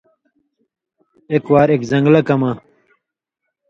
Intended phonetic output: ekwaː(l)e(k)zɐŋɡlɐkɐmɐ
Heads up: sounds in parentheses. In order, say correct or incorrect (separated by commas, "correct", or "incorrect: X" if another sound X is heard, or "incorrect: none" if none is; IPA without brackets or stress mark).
incorrect: ɾ, correct